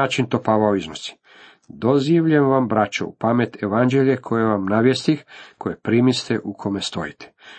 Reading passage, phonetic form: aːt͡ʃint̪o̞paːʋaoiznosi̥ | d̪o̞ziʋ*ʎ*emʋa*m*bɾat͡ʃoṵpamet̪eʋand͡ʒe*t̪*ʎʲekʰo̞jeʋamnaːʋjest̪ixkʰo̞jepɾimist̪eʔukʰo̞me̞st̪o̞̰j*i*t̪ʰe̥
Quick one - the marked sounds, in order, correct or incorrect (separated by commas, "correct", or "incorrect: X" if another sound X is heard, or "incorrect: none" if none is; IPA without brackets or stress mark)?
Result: correct, correct, incorrect: none, correct